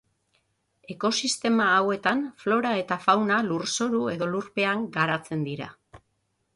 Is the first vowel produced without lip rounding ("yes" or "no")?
yes